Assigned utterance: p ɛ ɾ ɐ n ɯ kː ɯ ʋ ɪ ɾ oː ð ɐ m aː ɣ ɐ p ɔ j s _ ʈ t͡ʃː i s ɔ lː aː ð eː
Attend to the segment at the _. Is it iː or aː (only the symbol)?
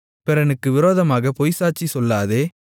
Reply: aː